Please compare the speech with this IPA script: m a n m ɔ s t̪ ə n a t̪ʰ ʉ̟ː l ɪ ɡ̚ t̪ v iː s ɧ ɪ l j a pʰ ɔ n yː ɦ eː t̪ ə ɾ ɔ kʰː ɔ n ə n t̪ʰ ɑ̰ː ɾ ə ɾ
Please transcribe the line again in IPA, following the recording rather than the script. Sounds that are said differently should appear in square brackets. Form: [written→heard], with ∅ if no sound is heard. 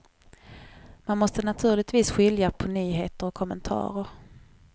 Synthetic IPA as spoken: m a n m ɔ s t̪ ə n a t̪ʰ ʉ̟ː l ɪ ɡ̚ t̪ v iː s ɧ ɪ l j a pʰ ɔ n yː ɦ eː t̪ ə ɾ ɔ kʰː ɔ [n→m] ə n t̪ʰ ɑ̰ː ɾ ə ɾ